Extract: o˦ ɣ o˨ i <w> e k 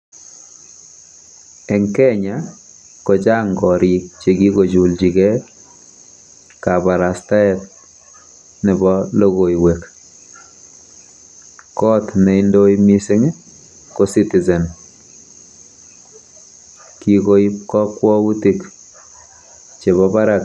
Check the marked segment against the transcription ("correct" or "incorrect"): correct